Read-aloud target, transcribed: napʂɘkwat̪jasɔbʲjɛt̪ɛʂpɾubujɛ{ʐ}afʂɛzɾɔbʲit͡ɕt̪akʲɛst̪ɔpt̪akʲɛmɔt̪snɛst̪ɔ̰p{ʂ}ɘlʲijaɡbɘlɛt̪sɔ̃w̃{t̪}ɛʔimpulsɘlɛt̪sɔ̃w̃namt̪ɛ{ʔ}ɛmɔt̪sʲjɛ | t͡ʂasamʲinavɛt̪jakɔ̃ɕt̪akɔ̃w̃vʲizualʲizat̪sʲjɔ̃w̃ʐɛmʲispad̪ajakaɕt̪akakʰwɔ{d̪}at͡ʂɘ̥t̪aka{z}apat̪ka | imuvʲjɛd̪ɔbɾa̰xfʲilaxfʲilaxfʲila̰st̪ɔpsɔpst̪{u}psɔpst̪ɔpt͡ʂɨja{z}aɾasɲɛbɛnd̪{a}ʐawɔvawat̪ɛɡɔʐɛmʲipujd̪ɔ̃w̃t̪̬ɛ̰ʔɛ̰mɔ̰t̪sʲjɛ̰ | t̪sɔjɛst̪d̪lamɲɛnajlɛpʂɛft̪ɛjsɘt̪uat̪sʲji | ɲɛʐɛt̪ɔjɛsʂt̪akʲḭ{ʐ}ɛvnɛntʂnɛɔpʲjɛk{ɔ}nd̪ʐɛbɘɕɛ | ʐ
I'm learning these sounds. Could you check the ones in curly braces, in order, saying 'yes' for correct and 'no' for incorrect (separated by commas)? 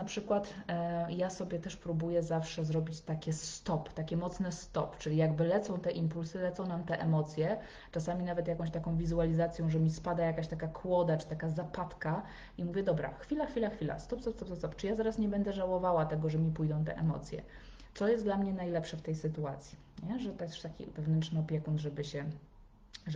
no, no, yes, yes, yes, yes, no, yes, no, no, no